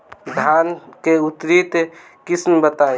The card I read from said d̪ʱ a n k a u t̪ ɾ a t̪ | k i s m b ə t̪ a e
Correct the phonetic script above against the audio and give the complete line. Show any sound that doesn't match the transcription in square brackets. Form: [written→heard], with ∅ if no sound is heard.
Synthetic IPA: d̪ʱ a n k [a→e] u t̪ ɾ [a→i] t̪ | k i s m b ə t̪ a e

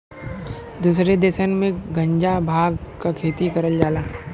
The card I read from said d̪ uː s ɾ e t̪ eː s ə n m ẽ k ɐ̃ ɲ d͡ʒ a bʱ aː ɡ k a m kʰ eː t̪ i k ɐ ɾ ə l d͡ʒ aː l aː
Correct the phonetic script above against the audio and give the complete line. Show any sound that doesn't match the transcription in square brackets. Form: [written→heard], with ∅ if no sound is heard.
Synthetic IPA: d̪ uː s ɾ e [t̪→d̪] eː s ə n m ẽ [k→ɡ] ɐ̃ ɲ d͡ʒ a bʱ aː ɡ k a [m→∅] kʰ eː t̪ i k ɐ ɾ ə l d͡ʒ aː l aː

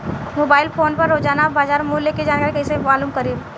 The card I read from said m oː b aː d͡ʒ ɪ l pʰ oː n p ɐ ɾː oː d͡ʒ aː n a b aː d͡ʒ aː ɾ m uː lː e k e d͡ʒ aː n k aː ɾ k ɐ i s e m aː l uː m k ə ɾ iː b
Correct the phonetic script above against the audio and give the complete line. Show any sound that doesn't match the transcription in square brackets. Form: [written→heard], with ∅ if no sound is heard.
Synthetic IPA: m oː b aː [d͡ʒ→∅] ɪ l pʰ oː n p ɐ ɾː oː d͡ʒ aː n a b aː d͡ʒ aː ɾ m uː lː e k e d͡ʒ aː n k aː ɾ k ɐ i s e m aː l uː m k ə ɾ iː b

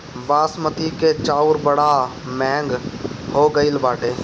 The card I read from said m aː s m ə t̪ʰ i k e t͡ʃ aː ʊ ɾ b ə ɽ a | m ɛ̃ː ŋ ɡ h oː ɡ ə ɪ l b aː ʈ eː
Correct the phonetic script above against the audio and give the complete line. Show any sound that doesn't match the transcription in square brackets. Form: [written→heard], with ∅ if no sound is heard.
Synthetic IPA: [m→b] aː s m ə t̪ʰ i k e t͡ʃ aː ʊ ɾ b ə ɽ a | m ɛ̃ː ŋ ɡ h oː ɡ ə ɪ l b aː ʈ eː

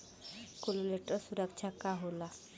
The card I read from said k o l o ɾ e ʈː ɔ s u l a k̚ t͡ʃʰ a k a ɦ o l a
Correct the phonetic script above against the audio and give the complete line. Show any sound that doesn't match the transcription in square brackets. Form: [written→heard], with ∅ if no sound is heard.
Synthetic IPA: k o l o [ɾ→l] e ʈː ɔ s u [l→ɾ] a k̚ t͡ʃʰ a k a ɦ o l a

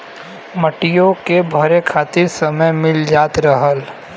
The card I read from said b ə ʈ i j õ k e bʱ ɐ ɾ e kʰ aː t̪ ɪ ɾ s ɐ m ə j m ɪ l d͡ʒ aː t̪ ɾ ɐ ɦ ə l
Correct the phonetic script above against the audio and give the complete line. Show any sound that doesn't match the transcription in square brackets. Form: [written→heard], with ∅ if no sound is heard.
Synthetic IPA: [b→m] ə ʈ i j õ k e bʱ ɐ ɾ e kʰ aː t̪ ɪ ɾ s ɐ m ə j m ɪ l d͡ʒ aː t̪ ɾ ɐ ɦ ə l

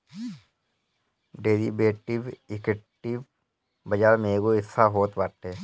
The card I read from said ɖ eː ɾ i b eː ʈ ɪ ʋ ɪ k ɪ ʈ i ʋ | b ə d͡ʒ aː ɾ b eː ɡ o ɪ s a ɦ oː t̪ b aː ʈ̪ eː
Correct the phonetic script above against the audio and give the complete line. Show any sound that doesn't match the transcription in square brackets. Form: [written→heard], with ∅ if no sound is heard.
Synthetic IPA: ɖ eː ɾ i b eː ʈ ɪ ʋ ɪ k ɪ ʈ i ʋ | b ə d͡ʒ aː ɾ [b→m] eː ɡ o ɪ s a ɦ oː t̪ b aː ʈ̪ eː

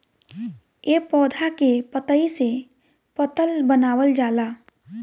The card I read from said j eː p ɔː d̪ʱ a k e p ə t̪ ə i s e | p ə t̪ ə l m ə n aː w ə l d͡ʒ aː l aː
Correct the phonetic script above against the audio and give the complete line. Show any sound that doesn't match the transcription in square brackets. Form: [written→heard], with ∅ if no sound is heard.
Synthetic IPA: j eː p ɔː d̪ʱ a k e p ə t̪ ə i s e | p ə t̪ ə l [m→b] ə n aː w ə l d͡ʒ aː l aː

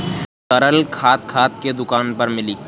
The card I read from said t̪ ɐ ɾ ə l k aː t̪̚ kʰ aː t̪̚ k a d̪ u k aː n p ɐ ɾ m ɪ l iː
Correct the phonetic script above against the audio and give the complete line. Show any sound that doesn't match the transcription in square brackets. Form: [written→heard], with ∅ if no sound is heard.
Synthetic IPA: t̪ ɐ ɾ ə l [k→kʰ] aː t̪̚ kʰ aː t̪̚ k [a→e] d̪ [u→ʊ] k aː n p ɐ ɾ m ɪ l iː

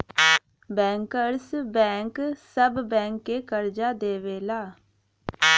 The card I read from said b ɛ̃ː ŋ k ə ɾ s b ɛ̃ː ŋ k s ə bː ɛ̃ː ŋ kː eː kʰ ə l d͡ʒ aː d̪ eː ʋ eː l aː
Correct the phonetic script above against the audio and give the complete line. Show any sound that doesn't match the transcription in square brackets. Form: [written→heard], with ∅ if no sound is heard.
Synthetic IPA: b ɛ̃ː ŋ k ə ɾ s b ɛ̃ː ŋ k s ə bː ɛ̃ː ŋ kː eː [kʰ→k] ə [l→ɾ] d͡ʒ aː d̪ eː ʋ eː l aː

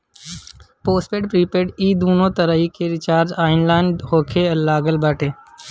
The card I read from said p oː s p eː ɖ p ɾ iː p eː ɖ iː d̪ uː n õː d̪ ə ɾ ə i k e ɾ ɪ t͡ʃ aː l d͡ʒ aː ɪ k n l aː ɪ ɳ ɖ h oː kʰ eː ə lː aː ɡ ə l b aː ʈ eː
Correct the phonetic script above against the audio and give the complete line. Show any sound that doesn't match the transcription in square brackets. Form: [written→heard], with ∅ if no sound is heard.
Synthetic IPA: p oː s p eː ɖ p ɾ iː p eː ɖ iː d̪ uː n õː [d̪→t̪] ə ɾ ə i k e ɾ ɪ t͡ʃ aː [l→ɾ] d͡ʒ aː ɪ [k→∅] n l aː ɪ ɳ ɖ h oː kʰ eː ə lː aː ɡ ə l b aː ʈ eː

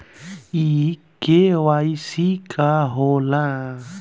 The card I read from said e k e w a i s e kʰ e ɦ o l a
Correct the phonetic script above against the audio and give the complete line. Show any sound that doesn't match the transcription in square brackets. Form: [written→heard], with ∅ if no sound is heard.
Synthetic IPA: [e→i] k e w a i s [e→i] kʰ [e→a] ɦ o l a

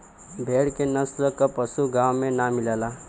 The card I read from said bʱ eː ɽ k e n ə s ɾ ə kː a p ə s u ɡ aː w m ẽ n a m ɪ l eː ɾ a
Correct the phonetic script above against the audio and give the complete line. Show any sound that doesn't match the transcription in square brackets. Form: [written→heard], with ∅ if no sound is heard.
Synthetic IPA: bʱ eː ɽ k e n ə s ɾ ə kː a p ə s u ɡ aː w m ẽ n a m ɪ l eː [ɾ→l] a

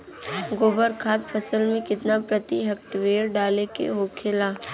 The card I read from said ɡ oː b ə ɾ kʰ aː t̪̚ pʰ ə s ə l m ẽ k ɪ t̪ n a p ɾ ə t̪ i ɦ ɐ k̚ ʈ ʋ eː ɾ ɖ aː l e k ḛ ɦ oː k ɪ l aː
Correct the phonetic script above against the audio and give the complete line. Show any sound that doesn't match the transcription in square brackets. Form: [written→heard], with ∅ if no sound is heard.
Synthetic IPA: ɡ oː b ə ɾ kʰ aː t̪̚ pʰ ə s ə l m ẽ k ɪ t̪ n a p ɾ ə t̪ i ɦ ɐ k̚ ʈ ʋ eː ɾ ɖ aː l e k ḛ ɦ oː [k→kʰ] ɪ l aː

